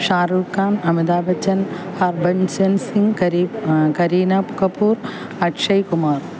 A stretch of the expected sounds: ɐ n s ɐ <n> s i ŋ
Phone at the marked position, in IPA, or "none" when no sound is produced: n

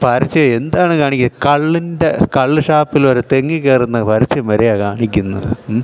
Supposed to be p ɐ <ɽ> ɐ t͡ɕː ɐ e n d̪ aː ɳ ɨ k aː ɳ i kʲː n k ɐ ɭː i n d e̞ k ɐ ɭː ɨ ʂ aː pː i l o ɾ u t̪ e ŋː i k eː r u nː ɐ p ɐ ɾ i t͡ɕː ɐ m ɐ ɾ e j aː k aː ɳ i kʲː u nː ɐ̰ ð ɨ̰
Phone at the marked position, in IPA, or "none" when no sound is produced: ɾ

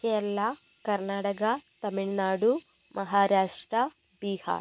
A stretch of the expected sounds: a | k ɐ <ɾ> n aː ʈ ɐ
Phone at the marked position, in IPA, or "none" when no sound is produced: ɾ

